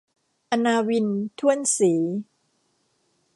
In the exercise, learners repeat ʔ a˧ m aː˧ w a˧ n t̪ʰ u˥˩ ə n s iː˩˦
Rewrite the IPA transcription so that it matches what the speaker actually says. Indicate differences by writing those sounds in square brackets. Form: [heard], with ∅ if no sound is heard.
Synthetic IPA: ʔ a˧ [n] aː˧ w [i˧] n t̪ʰ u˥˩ ə n s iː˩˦